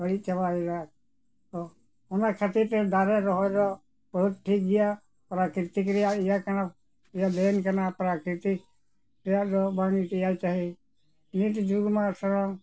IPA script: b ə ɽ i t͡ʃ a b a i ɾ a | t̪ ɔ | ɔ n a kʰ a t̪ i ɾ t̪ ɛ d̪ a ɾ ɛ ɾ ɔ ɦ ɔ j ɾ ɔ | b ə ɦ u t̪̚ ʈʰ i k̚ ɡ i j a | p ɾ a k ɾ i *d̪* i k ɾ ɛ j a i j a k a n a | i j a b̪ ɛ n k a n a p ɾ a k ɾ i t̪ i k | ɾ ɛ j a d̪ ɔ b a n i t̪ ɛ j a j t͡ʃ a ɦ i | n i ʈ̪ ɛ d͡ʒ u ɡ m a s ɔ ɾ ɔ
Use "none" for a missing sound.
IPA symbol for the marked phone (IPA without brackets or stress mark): t̪